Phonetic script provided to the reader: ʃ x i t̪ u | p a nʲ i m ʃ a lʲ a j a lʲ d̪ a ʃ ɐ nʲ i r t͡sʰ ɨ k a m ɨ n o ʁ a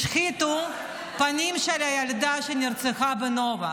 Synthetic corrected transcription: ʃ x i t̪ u | p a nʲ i m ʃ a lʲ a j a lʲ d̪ a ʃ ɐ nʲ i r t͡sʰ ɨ x a b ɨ n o v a